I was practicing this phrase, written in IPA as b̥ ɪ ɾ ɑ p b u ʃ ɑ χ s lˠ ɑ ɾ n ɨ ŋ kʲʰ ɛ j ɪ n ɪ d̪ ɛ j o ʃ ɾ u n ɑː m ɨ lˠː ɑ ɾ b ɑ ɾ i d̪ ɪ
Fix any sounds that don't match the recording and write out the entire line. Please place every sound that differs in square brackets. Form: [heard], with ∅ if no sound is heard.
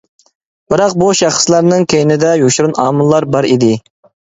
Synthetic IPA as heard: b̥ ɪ ɾ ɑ [q] b u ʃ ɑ χ s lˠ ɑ ɾ n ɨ ŋ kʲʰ [e] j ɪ n ɪ d̪ ɛ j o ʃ ɾ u n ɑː m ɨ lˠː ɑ ɾ b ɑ ɾ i d̪ ɪ